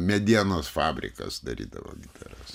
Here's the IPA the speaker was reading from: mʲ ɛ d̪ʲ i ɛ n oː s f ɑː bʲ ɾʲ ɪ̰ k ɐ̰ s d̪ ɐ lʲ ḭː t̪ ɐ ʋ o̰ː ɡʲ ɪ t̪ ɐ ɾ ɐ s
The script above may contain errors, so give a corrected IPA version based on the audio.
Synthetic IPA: mʲ ɛ d̪ʲ i ɛ n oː s f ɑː bʲ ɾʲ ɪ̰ k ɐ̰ s d̪ ɐ ɾʲ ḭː d̪ ɐ ʋ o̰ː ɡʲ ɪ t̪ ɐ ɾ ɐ s

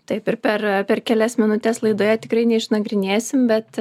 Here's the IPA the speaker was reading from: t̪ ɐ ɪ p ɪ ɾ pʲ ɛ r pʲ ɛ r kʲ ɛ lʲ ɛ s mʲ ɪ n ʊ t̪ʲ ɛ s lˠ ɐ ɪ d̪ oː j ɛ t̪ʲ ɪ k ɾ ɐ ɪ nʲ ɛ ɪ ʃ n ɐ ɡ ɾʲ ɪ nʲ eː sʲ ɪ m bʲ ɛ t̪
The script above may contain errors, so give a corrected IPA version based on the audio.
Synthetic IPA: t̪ ɐ ɪ p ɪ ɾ pʲ ɛ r pʲ ɛ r kʲ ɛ lʲ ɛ s mʲ ɪ n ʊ t̪ʲ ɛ s lˠ ɐ ɪ d̪ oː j ɛ t̪ʲ ɪ k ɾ ɐ ɪ nʲ ɛ ɪ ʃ n ɐ ɡ ɾʲ ɪ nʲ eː sʲ ɪ m bʲ ɛ t̪

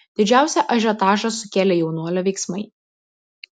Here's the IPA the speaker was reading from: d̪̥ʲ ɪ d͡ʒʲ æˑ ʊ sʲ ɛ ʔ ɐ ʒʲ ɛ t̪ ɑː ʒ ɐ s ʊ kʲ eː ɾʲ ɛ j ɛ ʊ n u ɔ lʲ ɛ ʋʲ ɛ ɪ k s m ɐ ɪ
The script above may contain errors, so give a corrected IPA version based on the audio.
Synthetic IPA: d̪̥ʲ ɪ d͡ʒʲ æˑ ʊ sʲ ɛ ʔ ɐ ʒʲ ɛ t̪ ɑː ʒ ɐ s ʊ kʲ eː lʲ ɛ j ɛ ʊ n u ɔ lʲ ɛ ʋʲ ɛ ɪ k s m ɐ ɪ

